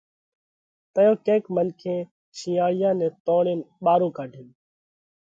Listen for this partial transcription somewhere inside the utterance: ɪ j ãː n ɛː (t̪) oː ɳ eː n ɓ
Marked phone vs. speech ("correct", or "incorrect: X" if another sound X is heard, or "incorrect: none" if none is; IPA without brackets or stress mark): correct